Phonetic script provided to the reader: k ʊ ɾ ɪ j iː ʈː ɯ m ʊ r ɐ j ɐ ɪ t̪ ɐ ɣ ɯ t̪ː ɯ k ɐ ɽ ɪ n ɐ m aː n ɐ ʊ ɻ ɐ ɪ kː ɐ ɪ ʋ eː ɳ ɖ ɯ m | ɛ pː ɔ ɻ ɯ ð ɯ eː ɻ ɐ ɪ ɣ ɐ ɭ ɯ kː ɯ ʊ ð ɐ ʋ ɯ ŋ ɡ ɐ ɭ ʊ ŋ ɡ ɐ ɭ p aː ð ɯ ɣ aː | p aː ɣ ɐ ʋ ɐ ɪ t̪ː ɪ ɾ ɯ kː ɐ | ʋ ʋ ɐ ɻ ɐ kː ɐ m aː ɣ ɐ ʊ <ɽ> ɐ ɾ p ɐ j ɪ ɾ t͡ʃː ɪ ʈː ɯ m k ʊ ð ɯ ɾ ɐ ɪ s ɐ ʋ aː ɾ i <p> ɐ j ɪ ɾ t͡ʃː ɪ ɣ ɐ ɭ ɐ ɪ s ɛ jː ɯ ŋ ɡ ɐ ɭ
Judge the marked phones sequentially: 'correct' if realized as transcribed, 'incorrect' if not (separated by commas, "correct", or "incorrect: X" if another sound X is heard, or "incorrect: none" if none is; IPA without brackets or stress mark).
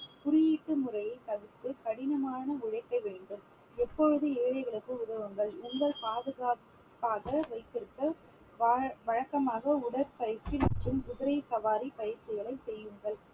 correct, correct